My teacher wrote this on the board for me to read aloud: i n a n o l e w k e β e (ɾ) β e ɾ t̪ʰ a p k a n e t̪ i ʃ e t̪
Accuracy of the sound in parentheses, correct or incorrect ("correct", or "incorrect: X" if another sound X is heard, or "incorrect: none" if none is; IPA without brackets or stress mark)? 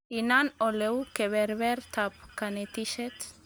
correct